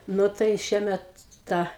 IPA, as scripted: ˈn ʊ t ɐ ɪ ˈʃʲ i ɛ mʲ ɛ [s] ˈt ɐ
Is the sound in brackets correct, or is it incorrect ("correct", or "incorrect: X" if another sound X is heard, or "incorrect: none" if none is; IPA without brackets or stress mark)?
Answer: incorrect: t